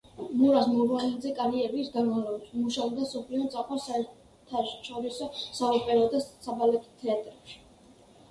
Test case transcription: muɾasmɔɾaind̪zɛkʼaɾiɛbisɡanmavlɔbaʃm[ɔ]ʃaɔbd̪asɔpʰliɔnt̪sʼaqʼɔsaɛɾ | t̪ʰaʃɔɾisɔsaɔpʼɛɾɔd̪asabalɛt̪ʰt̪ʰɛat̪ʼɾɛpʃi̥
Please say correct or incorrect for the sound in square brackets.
incorrect